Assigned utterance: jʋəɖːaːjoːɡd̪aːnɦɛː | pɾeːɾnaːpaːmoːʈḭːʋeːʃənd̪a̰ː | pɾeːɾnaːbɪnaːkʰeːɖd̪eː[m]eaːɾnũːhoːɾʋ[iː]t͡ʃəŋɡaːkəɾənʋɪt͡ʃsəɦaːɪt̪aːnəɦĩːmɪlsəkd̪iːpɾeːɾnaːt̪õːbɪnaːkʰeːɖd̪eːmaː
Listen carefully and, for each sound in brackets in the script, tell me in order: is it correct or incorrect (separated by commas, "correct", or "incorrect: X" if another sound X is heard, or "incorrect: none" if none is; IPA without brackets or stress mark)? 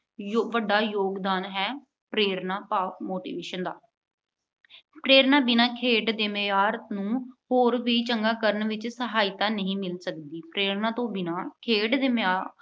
correct, correct